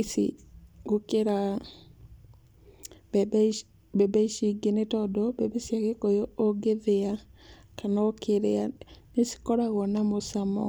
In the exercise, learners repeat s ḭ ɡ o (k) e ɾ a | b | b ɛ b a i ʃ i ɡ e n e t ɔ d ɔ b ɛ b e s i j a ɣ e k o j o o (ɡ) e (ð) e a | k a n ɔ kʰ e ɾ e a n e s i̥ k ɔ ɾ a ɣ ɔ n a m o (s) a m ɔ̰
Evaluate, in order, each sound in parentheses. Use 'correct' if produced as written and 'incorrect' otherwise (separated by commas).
correct, correct, correct, correct